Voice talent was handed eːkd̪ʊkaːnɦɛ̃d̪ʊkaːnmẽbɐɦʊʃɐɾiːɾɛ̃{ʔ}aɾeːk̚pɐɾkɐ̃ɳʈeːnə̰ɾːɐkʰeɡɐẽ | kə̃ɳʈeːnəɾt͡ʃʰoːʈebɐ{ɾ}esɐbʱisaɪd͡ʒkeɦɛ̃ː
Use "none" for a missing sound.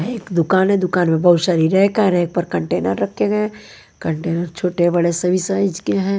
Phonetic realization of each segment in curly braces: k, ɽ

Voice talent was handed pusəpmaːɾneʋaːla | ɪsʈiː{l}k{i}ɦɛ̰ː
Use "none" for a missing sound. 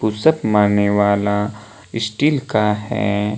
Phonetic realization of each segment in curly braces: l, a

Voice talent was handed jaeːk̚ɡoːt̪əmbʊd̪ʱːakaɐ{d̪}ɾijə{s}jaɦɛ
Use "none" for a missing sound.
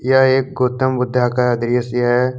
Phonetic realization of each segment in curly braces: d̪, s

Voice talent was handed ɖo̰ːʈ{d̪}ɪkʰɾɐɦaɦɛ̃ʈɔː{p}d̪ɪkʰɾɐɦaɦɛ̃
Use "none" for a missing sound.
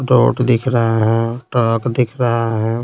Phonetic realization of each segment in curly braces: d̪, k

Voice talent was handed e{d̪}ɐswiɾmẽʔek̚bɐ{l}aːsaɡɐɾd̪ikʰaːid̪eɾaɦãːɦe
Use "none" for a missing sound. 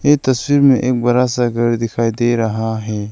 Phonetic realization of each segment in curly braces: t̪, ɾ

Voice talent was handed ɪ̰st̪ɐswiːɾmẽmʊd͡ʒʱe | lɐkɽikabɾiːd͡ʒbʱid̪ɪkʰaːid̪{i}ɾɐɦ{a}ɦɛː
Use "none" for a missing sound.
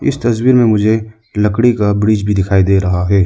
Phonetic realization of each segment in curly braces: e, a

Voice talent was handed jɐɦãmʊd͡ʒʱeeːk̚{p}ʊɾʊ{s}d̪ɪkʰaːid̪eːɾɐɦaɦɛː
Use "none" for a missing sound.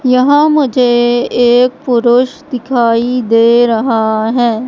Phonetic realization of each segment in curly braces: p, ʃ

